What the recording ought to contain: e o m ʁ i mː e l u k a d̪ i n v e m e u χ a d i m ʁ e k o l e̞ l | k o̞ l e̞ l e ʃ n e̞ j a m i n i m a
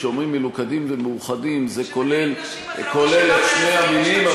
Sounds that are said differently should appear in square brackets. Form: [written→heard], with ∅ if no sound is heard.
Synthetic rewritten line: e o m ʁ i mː e l u k a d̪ i [n→m] v e m e u χ a d i m [ʁ→z] e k o l e̞ l | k o̞ l e̞ l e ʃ n e̞ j a m i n i m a